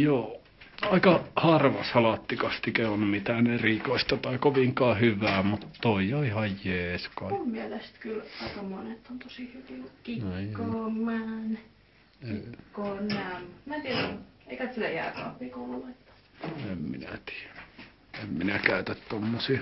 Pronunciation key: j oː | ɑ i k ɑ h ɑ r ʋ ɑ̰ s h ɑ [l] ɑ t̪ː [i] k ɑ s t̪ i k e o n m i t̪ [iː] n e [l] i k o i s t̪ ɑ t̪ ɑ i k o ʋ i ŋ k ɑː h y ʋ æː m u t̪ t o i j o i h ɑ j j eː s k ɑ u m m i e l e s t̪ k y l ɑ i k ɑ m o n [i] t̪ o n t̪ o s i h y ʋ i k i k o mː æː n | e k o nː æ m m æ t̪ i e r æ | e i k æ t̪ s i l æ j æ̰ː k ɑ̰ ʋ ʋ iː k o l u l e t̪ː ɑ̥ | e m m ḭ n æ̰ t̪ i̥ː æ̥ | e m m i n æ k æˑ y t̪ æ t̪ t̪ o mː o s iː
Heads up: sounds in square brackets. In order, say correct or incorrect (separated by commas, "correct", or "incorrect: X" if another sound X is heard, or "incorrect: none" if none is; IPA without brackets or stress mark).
correct, correct, incorrect: æː, incorrect: r, incorrect: e